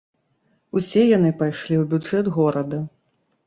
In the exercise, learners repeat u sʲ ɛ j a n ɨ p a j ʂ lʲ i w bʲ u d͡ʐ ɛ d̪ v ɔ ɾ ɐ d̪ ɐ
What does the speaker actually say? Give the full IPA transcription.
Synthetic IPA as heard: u sʲ ɛ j a n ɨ p a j ʂ lʲ i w bʲ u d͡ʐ ɛ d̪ ɣ ɔ ɾ ɐ d̪ ɐ